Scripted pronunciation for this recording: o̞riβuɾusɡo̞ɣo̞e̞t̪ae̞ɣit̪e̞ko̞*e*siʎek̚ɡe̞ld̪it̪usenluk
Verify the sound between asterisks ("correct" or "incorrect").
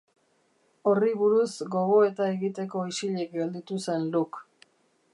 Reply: incorrect